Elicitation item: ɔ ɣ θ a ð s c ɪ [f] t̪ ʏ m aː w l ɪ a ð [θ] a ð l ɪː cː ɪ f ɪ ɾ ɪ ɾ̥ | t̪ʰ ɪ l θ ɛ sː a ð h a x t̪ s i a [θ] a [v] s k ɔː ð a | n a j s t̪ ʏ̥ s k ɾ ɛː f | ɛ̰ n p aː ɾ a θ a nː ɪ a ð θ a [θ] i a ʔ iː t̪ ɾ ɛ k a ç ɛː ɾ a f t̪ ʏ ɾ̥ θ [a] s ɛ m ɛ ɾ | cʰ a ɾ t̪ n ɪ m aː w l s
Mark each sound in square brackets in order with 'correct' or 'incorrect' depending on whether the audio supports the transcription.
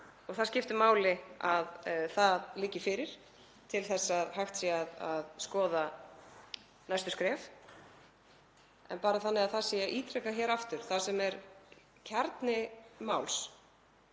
correct, correct, incorrect: ð, incorrect: ð, incorrect: s, correct

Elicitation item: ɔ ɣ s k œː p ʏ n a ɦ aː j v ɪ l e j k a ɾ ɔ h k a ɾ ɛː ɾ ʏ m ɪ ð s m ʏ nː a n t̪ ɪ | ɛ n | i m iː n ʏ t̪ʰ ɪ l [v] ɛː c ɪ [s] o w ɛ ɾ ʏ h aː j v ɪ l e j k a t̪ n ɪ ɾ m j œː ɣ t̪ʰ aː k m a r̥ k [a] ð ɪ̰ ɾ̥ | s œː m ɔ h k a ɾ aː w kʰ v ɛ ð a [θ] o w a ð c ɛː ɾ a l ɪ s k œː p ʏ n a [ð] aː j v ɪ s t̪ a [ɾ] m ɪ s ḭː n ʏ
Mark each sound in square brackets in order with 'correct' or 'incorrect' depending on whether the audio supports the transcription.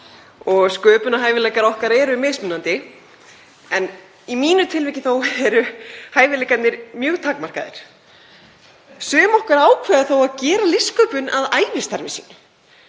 correct, incorrect: θ, correct, correct, correct, correct

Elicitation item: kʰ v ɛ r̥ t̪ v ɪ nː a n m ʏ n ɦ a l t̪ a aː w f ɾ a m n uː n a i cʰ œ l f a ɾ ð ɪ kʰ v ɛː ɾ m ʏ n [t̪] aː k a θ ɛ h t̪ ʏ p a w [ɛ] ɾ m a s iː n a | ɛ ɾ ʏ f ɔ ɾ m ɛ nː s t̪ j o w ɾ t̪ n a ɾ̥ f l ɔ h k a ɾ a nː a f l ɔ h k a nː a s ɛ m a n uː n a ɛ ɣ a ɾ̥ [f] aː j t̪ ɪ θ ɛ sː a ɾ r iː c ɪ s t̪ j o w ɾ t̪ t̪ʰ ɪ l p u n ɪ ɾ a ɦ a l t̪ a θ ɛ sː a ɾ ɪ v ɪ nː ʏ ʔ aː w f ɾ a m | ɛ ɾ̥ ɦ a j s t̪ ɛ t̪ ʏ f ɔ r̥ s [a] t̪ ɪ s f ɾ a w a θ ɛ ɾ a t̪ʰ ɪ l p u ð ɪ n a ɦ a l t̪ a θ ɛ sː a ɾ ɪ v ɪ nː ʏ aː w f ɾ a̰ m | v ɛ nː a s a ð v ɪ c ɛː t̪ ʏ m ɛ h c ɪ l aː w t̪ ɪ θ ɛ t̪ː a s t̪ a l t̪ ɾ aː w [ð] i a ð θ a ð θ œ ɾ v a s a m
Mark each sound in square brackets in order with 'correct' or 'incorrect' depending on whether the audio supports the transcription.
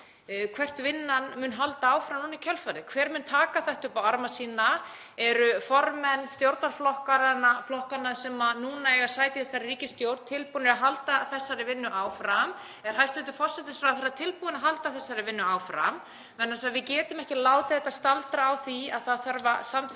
incorrect: t̪ʰ, incorrect: a, incorrect: s, incorrect: ɛ, incorrect: θ

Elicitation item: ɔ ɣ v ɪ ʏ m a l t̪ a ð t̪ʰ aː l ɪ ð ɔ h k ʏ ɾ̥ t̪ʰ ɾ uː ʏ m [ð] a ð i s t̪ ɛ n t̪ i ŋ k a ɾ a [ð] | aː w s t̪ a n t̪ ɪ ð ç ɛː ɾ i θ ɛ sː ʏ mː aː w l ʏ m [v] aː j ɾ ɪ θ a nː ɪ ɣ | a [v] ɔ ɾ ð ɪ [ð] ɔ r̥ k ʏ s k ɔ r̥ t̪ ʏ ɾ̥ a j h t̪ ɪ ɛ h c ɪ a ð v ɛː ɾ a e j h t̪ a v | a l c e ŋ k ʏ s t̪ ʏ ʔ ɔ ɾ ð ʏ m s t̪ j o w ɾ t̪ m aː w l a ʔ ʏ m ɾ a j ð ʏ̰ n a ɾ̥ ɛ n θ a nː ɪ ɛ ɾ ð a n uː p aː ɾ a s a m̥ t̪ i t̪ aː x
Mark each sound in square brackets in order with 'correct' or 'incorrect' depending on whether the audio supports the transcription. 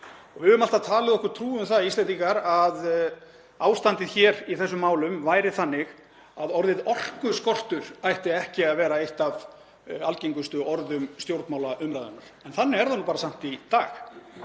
incorrect: θ, correct, correct, incorrect: ð, correct

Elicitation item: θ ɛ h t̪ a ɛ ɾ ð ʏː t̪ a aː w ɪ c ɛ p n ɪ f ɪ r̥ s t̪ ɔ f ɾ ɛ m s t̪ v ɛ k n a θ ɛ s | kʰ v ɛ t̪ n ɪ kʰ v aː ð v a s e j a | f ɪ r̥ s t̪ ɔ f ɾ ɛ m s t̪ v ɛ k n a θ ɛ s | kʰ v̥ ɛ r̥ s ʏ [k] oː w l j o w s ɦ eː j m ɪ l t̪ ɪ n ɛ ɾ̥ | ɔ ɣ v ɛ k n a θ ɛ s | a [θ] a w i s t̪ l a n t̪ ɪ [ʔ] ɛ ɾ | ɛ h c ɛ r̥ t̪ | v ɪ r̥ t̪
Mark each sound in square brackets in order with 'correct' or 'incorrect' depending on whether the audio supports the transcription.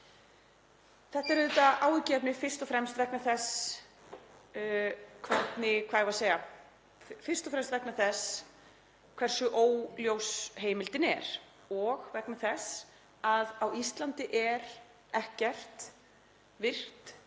incorrect: ʔ, incorrect: ð, correct

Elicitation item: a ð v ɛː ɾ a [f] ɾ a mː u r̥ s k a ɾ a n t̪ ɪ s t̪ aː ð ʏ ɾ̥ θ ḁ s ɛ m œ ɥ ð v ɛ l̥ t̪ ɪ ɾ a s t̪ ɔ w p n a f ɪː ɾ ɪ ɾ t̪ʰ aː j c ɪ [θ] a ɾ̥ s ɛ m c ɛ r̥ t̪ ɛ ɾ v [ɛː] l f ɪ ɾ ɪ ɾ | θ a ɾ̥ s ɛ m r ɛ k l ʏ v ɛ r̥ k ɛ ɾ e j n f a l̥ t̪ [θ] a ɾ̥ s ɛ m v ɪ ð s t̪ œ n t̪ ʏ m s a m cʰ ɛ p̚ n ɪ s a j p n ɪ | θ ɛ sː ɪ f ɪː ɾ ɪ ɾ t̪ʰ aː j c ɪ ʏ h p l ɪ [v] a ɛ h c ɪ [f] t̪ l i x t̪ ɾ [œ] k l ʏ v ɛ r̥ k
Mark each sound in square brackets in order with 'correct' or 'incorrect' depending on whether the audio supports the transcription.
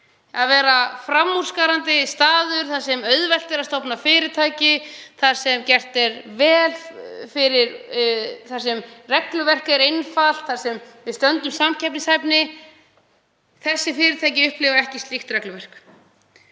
correct, correct, correct, correct, correct, incorrect: s, incorrect: ɛ

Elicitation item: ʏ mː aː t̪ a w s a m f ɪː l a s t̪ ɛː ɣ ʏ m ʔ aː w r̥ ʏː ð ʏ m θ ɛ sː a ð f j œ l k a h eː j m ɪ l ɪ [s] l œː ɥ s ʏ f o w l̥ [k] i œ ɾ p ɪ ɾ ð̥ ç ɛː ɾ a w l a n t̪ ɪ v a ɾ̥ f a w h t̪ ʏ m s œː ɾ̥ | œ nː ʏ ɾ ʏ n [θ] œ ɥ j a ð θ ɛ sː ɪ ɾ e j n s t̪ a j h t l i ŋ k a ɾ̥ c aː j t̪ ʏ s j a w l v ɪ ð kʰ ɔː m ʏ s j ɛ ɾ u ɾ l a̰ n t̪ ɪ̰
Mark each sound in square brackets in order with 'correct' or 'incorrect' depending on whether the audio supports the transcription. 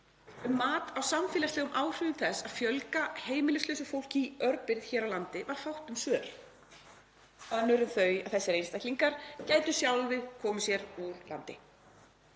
correct, incorrect: c, correct

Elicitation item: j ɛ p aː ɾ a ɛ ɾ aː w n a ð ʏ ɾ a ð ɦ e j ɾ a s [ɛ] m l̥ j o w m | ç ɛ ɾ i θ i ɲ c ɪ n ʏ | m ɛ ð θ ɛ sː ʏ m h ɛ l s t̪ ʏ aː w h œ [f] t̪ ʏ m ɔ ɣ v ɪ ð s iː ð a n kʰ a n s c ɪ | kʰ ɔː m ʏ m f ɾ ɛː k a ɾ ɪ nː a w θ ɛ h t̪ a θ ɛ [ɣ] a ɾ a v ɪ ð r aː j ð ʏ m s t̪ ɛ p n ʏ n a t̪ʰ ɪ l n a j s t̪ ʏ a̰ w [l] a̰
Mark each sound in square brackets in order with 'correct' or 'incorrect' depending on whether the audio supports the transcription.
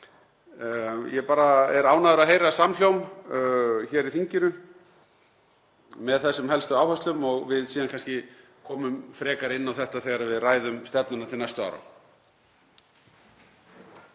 incorrect: a, incorrect: s, correct, incorrect: ɾ

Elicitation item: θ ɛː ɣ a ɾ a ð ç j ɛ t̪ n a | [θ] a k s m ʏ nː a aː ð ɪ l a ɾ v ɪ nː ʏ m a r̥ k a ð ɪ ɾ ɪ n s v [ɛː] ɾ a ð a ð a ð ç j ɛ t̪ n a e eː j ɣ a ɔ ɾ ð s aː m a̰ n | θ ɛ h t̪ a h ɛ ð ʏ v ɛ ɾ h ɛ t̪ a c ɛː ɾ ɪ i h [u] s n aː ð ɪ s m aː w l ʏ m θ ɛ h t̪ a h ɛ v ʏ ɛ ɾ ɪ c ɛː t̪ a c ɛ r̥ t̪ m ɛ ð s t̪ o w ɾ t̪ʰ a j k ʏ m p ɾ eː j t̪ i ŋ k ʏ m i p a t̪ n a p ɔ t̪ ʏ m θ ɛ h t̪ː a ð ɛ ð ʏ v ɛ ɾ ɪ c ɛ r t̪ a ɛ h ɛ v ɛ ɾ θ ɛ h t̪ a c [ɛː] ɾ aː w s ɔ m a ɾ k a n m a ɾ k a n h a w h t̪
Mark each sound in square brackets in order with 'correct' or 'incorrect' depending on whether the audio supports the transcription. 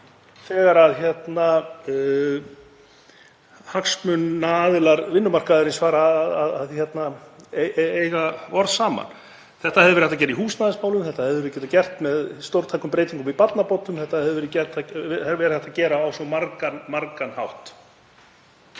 incorrect: h, incorrect: aː, incorrect: uː, correct

